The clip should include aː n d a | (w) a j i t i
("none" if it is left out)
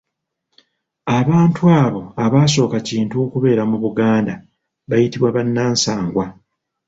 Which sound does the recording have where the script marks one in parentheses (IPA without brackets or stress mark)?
β